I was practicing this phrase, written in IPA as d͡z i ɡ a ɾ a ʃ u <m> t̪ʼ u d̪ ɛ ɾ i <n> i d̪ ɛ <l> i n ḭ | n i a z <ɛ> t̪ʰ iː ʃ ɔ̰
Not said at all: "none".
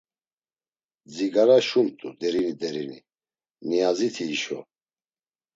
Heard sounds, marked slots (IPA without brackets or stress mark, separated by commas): m, n, ɾ, i